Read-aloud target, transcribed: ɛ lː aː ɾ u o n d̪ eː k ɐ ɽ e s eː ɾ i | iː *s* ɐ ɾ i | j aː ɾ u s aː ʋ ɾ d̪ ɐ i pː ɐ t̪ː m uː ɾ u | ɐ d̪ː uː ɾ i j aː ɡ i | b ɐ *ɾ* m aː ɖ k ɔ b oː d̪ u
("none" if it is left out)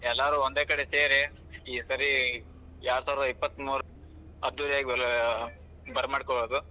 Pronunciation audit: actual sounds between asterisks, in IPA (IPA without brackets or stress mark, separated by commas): s, ɾ